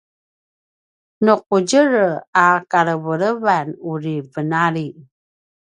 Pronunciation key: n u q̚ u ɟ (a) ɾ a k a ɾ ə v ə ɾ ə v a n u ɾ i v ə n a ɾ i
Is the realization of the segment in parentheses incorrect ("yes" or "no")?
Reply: yes